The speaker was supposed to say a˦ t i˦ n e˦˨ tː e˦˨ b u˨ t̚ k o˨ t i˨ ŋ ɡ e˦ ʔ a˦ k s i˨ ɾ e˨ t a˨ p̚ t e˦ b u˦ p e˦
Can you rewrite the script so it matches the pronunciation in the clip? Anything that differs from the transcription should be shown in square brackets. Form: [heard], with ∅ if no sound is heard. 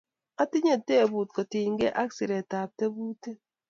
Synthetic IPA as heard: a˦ t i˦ [ɲ] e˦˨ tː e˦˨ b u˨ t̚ k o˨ t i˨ ŋ ɡ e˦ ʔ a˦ k s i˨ ɾ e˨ t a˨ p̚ t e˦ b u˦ [t] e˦